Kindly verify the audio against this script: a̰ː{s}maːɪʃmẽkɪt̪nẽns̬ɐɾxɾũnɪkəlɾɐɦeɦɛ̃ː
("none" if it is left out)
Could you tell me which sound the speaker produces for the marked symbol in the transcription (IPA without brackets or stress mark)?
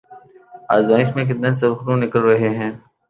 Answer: z